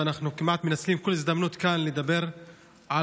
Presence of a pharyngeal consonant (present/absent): present